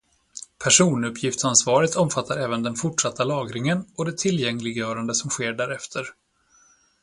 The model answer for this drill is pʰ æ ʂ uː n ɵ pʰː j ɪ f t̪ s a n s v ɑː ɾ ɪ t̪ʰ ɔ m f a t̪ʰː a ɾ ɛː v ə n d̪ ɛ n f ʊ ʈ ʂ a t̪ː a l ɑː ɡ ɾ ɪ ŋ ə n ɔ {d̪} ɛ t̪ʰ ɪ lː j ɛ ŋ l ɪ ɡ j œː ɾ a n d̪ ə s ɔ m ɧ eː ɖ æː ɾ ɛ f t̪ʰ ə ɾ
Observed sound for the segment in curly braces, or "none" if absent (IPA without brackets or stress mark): d̪